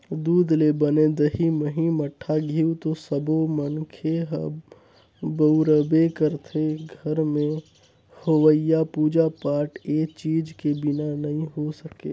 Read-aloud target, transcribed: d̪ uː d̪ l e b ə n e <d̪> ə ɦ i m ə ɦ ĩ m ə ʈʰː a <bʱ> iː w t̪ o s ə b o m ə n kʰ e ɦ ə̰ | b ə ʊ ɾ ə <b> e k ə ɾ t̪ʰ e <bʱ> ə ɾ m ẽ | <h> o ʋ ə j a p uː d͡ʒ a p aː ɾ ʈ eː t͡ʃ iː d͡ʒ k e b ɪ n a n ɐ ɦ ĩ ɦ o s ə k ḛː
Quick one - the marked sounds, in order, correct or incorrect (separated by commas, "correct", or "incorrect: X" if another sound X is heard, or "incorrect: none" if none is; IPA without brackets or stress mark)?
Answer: correct, incorrect: ɡʱ, correct, incorrect: ɡʱ, correct